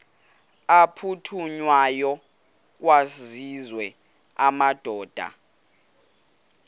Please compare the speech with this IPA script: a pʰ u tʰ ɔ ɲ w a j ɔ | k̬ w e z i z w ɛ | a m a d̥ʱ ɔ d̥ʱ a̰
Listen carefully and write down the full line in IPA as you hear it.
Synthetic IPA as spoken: a pʰ u tʰ u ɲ w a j ɔ | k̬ w a z i z w ɛ | a m a d̥ʱ ɔː d̥ʱ a̰